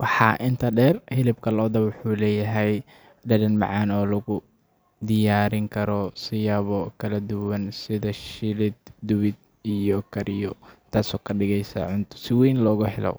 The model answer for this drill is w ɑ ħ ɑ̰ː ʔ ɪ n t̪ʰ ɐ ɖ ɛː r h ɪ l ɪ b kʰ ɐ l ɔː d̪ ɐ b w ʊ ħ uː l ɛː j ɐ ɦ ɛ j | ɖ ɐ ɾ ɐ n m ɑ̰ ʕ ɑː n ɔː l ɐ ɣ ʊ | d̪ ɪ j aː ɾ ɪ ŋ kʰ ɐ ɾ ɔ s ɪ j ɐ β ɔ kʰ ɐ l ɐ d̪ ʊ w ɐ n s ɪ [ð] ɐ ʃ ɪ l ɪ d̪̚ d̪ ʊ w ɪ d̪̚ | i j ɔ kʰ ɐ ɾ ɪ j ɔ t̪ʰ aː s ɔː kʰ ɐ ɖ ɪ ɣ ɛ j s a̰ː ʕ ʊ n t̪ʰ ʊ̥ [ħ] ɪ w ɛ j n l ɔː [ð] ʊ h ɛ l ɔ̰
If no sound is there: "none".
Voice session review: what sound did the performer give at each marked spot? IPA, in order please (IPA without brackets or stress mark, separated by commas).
ð, s, ɣ